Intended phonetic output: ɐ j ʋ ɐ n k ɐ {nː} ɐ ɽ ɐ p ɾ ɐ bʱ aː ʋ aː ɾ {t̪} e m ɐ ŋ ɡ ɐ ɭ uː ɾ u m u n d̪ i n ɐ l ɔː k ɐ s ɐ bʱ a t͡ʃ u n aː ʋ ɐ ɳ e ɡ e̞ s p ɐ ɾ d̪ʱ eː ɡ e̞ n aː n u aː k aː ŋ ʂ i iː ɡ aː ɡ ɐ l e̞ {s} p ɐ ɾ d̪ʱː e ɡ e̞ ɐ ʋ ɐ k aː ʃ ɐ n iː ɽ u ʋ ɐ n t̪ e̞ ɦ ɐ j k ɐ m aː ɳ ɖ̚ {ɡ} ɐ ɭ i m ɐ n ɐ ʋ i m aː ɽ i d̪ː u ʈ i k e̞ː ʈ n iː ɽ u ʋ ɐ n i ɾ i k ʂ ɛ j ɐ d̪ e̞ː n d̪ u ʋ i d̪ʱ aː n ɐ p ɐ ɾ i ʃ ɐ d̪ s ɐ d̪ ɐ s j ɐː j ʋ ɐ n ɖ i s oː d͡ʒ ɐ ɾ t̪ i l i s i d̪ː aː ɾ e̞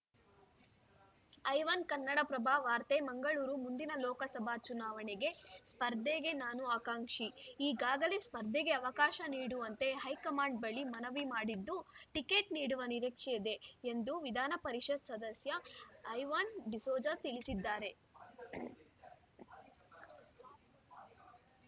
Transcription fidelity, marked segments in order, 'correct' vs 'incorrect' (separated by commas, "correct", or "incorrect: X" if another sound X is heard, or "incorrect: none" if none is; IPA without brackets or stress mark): correct, correct, correct, incorrect: b